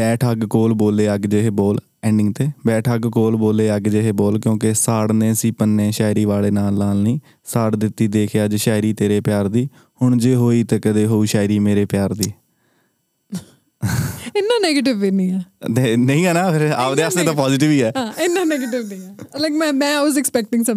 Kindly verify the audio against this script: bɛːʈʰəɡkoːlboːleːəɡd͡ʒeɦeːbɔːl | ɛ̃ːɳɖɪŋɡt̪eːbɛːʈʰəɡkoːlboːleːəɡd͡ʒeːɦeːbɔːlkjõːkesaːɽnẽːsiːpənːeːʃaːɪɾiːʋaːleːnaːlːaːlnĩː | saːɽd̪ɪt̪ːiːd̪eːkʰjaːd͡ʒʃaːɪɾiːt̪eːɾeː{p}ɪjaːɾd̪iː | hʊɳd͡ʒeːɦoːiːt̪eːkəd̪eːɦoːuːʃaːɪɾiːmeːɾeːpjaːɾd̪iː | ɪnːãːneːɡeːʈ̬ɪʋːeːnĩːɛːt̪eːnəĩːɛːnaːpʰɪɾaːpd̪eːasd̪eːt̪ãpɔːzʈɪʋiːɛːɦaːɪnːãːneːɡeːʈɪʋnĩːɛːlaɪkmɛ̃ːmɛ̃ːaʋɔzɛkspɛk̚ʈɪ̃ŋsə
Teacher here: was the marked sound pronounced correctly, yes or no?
yes